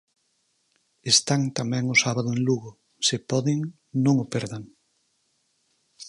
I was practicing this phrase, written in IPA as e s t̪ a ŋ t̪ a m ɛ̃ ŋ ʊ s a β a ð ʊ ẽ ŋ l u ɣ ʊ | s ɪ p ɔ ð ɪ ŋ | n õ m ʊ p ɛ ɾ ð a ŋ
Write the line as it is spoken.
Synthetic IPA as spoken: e s t̪ a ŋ t̪ a m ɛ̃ ŋ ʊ s a β a ð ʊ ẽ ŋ l u ɣ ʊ | s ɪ p ɔ ð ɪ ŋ | n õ ŋ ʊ p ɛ ɾ ð a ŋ